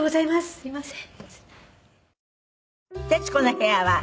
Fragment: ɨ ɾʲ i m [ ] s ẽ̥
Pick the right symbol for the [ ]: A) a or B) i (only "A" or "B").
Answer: A